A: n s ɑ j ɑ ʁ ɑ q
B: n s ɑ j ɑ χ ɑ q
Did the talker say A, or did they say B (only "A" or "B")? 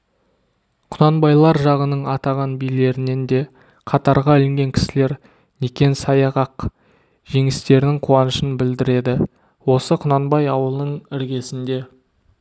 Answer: A